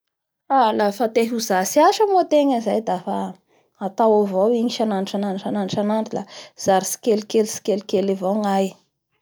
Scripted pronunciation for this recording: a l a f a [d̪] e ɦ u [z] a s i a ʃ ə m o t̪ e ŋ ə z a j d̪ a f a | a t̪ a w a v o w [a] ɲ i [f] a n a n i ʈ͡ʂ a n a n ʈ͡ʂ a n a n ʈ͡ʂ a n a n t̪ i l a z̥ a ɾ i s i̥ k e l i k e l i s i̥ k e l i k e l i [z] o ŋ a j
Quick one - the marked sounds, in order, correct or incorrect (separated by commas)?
incorrect, correct, incorrect, incorrect, incorrect